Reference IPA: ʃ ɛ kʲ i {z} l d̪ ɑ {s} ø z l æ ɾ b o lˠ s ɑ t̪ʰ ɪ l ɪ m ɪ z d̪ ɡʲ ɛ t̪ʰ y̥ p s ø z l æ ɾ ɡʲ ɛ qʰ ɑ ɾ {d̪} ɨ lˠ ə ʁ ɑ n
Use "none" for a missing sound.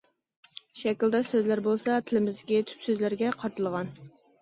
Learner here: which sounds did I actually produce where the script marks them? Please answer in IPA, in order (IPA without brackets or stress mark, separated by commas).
none, s, t̪